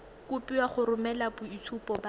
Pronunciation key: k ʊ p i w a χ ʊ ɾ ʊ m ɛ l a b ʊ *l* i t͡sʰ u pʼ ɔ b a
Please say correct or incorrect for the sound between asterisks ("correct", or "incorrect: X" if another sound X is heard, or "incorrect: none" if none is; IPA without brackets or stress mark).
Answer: incorrect: none